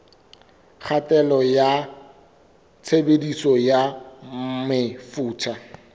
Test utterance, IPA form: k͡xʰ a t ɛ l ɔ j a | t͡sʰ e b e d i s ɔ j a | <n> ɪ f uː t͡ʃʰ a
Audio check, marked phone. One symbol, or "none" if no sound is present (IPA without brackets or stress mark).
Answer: m